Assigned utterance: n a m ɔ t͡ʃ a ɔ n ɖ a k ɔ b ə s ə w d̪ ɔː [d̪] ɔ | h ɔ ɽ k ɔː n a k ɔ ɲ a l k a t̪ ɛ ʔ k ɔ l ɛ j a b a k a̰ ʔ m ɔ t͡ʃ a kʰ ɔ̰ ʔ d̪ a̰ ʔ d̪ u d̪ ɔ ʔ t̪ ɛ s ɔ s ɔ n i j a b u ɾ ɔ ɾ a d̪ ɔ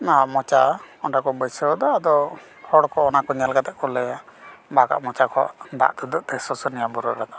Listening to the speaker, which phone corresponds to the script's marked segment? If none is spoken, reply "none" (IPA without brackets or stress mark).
d̪